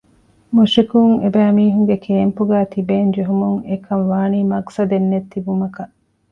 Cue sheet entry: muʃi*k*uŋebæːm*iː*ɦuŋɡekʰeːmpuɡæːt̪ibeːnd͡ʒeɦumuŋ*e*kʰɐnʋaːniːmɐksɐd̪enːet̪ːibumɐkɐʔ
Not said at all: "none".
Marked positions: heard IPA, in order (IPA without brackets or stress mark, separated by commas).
k, iː, e